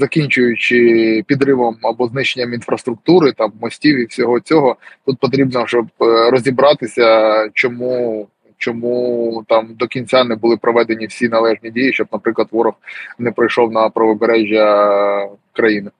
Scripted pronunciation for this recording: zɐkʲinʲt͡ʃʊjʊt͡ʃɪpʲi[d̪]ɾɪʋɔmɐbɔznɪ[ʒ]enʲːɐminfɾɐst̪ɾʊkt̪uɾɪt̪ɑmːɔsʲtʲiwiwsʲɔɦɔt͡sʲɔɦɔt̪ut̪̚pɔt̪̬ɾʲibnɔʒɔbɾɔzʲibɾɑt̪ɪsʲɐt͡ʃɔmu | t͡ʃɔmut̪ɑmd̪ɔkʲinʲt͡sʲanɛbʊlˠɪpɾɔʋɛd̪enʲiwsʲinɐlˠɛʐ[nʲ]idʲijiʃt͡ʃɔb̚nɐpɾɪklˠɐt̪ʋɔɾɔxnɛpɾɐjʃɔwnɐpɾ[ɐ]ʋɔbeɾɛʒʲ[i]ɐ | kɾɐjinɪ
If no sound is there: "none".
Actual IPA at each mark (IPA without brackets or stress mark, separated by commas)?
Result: d̪, ʃ, nʲ, ɐ, j